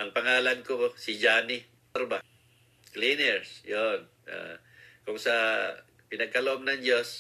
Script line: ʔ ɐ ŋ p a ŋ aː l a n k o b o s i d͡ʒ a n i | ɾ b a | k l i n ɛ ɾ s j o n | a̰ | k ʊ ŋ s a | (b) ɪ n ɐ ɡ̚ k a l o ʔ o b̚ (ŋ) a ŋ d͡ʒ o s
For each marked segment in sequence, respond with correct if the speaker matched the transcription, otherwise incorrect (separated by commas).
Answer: incorrect, incorrect